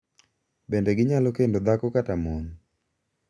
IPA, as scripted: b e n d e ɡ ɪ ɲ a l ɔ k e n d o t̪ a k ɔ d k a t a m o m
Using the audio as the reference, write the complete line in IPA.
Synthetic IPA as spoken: b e n d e ɡ ɪ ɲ a l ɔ k e n d o d̪ a k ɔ k a t a m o n